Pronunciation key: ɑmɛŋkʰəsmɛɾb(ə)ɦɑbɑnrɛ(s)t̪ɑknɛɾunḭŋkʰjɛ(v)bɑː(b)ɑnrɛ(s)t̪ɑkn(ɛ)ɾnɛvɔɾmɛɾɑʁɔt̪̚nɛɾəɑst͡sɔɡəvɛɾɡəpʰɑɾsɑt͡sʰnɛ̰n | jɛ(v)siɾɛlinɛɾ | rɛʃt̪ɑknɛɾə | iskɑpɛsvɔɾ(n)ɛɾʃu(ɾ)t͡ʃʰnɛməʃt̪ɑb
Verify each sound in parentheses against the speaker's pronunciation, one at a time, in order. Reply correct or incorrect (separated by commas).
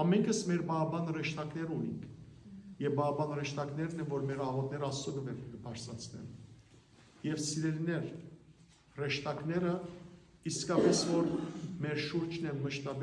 incorrect, incorrect, correct, correct, incorrect, correct, correct, incorrect, correct